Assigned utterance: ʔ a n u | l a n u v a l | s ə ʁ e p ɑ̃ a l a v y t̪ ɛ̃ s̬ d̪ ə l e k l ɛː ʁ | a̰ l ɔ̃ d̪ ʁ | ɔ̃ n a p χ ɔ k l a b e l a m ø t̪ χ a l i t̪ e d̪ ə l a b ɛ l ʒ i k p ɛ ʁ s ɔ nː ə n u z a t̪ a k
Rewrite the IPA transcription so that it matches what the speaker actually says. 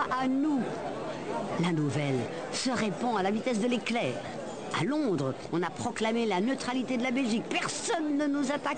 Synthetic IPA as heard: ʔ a n u | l a n u v ɛ l | s ə ʁ e p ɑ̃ a l a v i t̪ ɛ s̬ d̪ ə l e k l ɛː ʁ | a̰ l ɔ̃ d̪ ʁ | ɔ̃ n a p χ ɔ k l a m e l a n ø t̪ χ a l i t̪ e d̪ ə l a b ɛ l ʒ i k p ɛ ʁ s ɔ nː ə n u z a t̪ a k